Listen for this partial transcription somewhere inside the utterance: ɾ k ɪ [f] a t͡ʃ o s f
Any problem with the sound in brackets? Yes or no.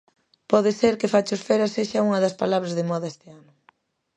no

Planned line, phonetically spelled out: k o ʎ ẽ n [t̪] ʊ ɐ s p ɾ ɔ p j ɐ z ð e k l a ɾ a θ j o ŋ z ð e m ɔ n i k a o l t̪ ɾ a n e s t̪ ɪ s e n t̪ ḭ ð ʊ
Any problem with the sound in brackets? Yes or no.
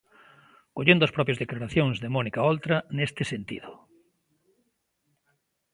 yes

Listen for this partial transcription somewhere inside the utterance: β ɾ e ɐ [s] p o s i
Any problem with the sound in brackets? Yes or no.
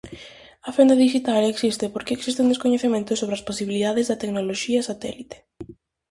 no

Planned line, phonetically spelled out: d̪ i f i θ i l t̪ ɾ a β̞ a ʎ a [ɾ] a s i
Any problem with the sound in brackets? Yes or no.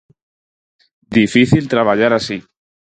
no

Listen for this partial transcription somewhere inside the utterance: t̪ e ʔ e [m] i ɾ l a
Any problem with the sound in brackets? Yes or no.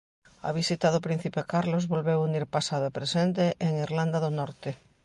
yes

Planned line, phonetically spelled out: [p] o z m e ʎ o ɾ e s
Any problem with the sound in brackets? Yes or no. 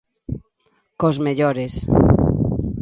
yes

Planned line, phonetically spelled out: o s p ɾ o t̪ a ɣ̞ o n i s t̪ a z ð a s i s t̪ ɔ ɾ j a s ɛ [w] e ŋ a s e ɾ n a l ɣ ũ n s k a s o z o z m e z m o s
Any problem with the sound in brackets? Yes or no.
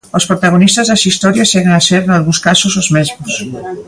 yes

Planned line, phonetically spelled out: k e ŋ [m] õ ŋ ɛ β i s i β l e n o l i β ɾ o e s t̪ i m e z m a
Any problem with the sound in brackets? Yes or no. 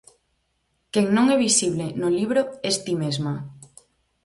yes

